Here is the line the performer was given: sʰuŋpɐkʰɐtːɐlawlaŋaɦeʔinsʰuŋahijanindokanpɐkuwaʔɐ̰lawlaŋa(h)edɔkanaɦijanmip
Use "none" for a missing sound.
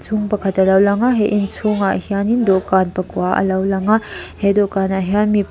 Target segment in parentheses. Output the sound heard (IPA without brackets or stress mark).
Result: h